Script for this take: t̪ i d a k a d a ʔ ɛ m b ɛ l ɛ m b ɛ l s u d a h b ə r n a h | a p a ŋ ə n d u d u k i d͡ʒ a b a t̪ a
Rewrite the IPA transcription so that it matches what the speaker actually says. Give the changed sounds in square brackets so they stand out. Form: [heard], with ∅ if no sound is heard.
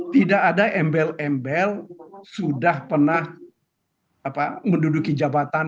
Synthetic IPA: t̪ i d a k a d a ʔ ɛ m b ɛ l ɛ m b ɛ l s u d a h [p] ə r n a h | a p a [m] ə n d u d u k i d͡ʒ a b a t̪ a